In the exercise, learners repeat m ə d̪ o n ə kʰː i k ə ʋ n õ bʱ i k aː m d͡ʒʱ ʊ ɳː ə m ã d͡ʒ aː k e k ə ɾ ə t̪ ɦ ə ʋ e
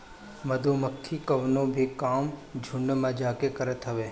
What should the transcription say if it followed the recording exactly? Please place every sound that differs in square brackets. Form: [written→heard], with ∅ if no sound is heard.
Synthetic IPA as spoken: m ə d̪ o [n→m] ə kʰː i k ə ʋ n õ bʱ i k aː m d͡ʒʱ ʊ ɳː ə m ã d͡ʒ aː k e k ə ɾ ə t̪ ɦ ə ʋ e